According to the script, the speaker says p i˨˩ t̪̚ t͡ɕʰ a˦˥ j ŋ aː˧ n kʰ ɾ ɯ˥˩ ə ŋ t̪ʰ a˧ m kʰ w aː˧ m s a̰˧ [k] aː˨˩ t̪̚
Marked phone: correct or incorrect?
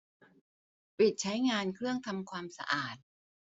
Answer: incorrect